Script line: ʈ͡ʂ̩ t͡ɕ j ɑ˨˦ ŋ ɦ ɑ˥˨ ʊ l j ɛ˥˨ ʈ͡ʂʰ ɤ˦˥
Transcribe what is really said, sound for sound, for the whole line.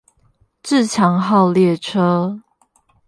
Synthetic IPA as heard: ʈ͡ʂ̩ t͡ɕʰ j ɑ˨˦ ŋ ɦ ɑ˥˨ ʊ l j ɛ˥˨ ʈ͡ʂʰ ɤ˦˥